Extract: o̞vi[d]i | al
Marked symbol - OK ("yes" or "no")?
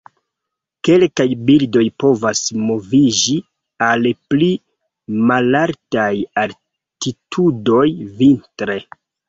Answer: no